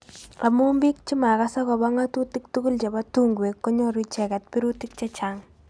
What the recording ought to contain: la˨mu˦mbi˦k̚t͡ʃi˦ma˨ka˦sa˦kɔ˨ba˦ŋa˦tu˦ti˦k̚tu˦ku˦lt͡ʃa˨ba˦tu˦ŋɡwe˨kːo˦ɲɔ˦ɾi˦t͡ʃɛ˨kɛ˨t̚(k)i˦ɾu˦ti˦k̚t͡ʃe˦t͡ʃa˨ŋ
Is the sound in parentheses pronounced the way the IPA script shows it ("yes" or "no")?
no